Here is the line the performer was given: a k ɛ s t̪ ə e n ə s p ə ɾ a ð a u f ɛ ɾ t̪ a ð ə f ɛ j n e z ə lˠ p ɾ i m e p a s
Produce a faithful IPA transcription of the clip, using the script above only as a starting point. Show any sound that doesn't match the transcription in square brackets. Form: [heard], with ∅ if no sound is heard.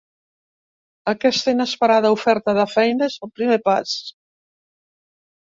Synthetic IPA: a k ɛ s t̪ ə [i] n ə s p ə ɾ a ð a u f ɛ ɾ t̪ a ð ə f ɛ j n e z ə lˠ p ɾ i m e p a s

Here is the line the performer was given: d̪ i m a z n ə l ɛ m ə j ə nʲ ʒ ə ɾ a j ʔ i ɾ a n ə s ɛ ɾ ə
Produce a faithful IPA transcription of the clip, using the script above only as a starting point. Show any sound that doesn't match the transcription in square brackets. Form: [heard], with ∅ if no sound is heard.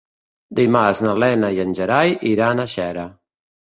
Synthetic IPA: d̪ i m a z n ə l ɛ [n] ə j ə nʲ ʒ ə ɾ a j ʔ i ɾ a n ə [ʃ] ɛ ɾ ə

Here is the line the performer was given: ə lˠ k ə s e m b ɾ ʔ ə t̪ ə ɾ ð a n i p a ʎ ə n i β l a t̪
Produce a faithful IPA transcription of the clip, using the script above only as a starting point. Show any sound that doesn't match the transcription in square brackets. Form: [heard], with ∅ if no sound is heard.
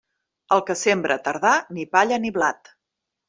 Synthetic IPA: ə lˠ k ə s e m b ɾ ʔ ə t̪ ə ɾ ð a n i p a ʎ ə n i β l a t̪

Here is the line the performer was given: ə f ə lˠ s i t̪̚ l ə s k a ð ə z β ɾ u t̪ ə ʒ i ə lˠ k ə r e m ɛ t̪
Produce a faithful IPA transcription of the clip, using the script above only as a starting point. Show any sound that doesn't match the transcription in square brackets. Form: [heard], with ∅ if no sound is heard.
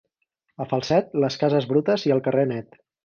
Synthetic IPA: ə f ə lˠ s [ɛ] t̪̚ l ə s k a [z] ə z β ɾ u t̪ ə [z] i ə lˠ k ə r e [n] ɛ t̪

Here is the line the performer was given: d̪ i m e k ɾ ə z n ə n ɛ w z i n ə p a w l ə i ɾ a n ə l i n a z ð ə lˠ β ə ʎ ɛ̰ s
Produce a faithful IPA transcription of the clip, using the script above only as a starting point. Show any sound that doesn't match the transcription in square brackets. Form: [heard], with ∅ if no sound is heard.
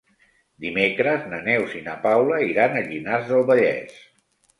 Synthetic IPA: d̪ i m e k ɾ ə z n ə n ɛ w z i n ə p a w l ə i ɾ a n ə [ʎ] i n a z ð ə lˠ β ə ʎ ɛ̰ s

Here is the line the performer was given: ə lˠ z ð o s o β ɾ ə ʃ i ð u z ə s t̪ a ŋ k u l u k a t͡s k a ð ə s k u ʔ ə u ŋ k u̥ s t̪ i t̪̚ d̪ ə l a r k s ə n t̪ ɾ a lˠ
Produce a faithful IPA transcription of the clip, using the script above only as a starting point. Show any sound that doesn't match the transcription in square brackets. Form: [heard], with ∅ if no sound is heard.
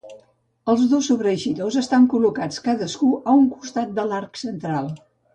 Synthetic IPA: ə lˠ z ð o s [u] β ɾ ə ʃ i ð [o] z ə s t̪ a ŋ k u l u k a t͡s k a ð ə s k u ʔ ə u ŋ k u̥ s t̪ [a] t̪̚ d̪ ə l a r k s ə n t̪ ɾ a lˠ

